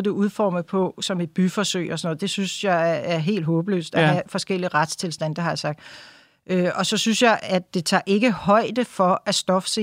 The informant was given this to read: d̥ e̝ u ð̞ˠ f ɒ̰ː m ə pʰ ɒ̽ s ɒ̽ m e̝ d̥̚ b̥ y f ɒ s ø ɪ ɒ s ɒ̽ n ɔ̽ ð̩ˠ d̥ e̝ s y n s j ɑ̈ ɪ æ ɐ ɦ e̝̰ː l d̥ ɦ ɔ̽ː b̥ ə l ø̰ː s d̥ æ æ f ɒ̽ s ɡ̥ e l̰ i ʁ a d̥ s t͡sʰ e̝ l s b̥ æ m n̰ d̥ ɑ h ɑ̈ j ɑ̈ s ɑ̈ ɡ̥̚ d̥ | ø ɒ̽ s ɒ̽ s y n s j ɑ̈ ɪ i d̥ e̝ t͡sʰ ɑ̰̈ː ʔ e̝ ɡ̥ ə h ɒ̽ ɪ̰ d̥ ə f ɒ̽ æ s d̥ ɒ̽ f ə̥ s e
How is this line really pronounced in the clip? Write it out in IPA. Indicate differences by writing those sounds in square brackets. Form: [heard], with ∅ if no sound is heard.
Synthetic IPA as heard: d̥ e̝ u ð̞ˠ f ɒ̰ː m ə pʰ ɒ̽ s ɒ̽ m e̝ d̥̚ b̥ y f ɒ s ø ɪ ɒ s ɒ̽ n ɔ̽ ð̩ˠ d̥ e̝ s y n s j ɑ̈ ɪ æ ɐ ɦ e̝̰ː l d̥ ɦ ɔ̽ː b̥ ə l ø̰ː s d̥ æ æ f ɒ̽ s ɡ̥ e l̰ i ʁ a d̥ s t͡sʰ e̝ l s [d̥] æ [∅] n̰ d̥ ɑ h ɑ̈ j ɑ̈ s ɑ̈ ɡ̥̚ d̥ | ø ɒ̽ s ɒ̽ s y n s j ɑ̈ ɪ [æ] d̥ e̝ t͡sʰ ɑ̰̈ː ʔ e̝ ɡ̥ ə h ɒ̽ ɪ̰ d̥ ə f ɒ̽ æ s d̥ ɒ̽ f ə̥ s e